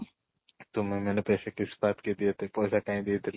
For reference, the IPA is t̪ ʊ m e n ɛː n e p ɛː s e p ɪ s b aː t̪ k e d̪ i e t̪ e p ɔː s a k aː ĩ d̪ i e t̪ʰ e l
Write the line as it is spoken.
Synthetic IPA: t̪ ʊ m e m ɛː n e p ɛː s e k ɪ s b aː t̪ k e d̪ i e t̪ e p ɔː s a k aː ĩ d̪ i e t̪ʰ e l